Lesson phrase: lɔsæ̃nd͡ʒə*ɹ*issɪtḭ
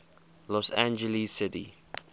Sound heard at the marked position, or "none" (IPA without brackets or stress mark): l